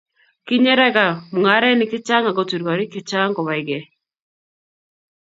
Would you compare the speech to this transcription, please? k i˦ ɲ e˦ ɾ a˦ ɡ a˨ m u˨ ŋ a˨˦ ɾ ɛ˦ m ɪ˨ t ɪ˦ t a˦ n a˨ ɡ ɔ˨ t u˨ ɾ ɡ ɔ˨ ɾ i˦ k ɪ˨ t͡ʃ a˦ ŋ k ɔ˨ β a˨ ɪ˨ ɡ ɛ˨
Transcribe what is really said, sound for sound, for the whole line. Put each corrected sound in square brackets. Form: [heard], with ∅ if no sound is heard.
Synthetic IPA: k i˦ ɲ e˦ ɾ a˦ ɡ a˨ m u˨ ŋ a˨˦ ɾ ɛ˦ [n] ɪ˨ [k] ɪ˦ [t͡ʃ] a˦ [ŋ] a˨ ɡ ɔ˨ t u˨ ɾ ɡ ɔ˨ ɾ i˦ k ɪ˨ t͡ʃ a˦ ŋ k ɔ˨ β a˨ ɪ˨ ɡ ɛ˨